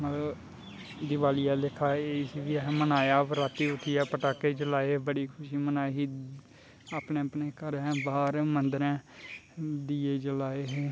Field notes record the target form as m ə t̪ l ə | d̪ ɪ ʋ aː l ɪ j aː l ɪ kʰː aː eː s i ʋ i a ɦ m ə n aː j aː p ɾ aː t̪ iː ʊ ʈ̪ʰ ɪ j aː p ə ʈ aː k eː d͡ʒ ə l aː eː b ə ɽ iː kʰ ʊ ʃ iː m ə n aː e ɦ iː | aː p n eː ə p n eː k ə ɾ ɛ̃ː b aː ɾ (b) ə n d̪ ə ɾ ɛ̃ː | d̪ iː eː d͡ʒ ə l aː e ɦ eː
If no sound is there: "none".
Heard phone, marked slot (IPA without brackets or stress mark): m